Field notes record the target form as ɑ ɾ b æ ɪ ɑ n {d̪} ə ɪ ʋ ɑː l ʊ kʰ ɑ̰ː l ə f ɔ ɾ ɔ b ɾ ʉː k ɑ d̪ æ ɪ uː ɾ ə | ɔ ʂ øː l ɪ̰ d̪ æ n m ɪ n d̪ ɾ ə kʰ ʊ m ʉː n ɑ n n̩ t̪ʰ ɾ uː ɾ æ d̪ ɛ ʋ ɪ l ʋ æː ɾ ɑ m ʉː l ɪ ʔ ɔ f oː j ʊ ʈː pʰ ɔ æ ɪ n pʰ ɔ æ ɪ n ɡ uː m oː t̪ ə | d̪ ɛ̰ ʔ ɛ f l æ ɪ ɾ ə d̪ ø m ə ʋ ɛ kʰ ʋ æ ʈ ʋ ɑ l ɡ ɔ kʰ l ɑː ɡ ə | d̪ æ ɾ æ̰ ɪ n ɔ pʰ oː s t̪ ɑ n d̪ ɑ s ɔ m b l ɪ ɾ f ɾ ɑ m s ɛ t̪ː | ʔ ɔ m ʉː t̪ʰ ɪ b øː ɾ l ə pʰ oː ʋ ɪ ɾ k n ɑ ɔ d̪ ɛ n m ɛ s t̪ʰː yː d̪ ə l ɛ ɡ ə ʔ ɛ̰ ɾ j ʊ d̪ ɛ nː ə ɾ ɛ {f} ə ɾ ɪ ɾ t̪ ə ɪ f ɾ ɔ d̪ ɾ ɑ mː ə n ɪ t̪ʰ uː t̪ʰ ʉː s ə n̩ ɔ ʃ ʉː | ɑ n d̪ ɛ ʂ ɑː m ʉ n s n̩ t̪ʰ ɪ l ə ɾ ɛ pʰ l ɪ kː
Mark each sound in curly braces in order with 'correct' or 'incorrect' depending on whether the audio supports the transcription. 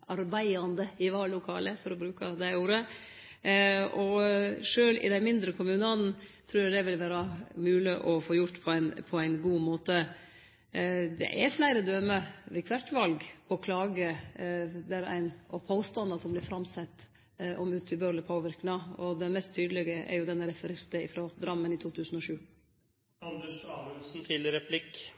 correct, correct

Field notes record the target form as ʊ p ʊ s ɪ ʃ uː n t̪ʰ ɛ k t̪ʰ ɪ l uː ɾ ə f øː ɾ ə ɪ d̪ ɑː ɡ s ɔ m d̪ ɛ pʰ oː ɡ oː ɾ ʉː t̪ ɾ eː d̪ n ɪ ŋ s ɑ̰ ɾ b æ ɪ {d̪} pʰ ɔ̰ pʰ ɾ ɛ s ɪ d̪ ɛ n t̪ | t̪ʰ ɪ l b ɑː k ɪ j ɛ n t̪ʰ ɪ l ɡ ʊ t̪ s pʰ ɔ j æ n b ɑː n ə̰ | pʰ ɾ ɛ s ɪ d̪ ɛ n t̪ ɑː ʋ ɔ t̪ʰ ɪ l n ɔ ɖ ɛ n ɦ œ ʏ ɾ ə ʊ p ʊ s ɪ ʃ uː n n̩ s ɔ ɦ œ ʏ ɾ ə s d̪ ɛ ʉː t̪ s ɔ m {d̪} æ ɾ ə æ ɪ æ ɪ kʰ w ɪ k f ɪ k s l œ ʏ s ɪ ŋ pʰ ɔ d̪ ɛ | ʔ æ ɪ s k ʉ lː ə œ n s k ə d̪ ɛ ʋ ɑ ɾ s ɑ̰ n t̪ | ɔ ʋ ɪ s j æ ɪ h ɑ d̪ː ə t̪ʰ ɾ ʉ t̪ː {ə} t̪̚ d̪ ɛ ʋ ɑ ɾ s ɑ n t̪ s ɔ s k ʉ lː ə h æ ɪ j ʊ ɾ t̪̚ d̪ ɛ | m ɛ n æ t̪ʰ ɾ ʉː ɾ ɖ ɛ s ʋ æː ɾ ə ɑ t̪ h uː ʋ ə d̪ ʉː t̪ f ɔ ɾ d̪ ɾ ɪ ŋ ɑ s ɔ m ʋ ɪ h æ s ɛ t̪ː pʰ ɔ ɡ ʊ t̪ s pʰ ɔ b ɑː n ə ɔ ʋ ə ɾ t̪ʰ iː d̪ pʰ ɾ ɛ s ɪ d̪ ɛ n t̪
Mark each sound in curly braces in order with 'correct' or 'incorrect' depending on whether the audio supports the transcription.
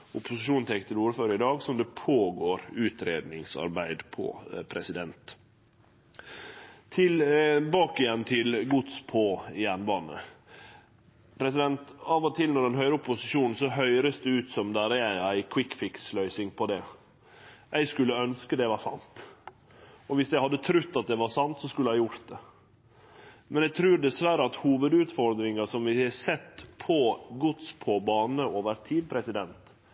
correct, correct, incorrect

